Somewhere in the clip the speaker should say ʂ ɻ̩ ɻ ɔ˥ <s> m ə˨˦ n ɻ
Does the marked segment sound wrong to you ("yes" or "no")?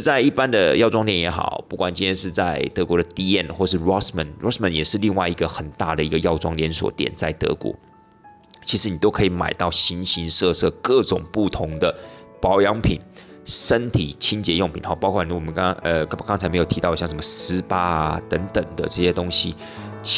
no